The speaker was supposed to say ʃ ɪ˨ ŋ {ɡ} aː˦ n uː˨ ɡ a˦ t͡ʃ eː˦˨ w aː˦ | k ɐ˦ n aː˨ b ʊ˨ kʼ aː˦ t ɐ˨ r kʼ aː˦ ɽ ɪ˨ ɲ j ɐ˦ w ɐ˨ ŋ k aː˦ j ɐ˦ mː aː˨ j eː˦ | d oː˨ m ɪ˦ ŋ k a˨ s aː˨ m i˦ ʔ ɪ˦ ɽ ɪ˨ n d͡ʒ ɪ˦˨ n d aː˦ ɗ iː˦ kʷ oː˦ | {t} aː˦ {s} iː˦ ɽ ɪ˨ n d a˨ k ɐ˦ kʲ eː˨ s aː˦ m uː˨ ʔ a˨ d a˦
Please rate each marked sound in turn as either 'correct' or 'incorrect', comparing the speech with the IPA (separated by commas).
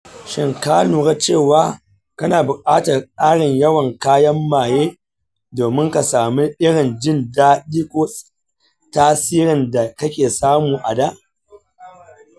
incorrect, correct, correct